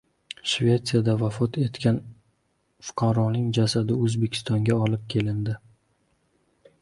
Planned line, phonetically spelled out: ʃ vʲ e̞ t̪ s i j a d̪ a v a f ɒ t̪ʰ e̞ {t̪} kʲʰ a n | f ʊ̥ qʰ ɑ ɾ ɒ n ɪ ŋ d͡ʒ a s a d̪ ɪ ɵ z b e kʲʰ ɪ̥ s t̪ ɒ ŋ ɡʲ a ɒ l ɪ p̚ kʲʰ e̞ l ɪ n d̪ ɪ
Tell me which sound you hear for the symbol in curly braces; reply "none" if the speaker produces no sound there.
t̪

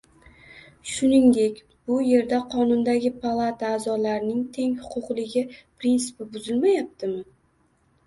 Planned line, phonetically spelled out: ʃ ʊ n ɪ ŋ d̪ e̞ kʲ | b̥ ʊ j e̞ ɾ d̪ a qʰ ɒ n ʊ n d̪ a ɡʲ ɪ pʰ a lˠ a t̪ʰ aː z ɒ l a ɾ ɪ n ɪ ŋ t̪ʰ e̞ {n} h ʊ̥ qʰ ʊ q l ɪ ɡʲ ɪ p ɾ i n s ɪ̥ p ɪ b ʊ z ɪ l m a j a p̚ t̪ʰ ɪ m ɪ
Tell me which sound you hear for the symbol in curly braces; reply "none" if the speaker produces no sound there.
ŋ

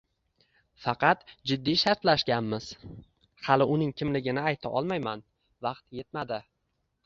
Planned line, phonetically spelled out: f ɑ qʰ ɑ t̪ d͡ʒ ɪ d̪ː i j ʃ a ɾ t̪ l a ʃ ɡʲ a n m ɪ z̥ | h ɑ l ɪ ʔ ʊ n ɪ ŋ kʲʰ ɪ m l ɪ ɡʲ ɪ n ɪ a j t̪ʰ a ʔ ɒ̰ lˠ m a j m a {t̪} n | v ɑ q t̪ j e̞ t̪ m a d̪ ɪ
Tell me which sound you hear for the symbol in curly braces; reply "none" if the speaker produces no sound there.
none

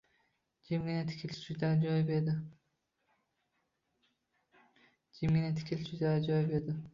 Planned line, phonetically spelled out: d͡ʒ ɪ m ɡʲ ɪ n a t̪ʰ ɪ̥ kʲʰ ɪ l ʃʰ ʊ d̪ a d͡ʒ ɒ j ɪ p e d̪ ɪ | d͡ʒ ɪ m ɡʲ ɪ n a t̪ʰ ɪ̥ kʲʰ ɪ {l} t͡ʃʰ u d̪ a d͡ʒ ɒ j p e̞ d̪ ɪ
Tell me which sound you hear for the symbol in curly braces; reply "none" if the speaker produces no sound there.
l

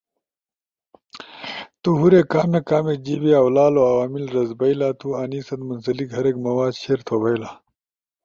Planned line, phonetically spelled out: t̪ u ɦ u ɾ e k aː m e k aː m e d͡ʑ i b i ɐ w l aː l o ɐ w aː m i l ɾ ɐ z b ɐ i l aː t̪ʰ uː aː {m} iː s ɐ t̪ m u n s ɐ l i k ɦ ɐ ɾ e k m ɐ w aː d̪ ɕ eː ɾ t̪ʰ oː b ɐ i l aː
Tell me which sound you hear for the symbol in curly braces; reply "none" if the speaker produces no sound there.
n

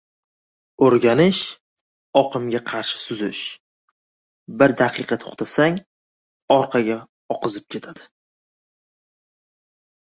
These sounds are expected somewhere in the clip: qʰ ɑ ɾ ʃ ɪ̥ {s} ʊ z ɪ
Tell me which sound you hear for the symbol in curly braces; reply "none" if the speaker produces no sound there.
s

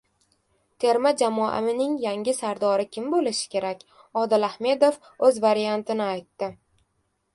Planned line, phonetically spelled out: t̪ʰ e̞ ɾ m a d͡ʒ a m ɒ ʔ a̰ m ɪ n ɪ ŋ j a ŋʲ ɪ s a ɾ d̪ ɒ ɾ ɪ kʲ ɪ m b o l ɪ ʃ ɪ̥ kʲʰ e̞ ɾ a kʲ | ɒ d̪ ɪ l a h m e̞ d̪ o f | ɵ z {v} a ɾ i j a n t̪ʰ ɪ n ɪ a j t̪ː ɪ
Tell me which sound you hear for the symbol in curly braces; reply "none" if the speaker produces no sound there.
v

